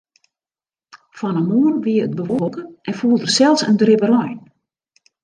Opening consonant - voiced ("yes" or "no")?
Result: no